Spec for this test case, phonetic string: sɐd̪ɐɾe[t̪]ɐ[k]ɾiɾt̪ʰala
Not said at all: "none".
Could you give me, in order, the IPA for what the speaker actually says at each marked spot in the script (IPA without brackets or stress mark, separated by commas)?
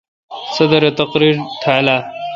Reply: t̪, q